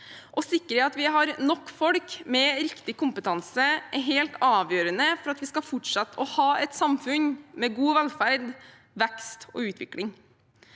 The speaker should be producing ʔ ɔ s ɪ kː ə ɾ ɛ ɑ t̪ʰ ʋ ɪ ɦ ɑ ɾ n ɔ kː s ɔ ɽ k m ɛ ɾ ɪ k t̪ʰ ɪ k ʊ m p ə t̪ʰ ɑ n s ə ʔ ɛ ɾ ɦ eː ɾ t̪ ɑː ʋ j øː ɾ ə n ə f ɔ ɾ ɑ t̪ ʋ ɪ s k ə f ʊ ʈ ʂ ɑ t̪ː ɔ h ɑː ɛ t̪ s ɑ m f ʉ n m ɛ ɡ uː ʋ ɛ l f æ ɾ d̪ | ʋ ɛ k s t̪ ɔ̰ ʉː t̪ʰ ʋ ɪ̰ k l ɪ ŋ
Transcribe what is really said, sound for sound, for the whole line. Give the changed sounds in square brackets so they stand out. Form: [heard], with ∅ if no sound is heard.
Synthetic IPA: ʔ ɔ s ɪ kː ə ɾ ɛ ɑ [t̪] ʋ ɪ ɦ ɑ ɾ n ɔ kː [f] ɔ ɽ k m ɛ ɾ ɪ k [t̪] ɪ k ʊ m p ə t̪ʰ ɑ n s ə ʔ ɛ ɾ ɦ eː [l] t̪ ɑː ʋ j øː ɾ ə n ə f ɔ ɾ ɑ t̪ ʋ ɪ s k [ɑ] f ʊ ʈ ʂ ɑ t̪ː ɔ h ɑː ɛ t̪ s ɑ m f ʉ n m ɛ ɡ uː ʋ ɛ l f æ ɾ d̪ | ʋ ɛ k s t̪ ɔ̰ ʉː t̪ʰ ʋ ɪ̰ k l ɪ ŋ